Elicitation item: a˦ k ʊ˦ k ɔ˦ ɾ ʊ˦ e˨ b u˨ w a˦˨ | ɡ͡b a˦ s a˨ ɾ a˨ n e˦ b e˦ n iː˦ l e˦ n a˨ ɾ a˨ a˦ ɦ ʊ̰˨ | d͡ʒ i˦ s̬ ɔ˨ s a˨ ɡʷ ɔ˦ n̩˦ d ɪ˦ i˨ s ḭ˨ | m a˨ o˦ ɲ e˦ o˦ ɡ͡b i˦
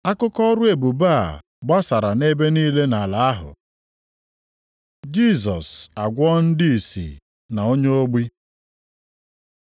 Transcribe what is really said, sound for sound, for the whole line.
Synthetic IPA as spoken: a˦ k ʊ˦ k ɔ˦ ɾ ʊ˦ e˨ b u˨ b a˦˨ | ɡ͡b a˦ s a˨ ɾ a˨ n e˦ b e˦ n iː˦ l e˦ n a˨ l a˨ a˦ ɦ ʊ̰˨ | d͡ʒ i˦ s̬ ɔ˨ s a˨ ɡʷ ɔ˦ n̩˦ d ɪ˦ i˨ s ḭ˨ | n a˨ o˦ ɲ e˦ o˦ ɡ͡b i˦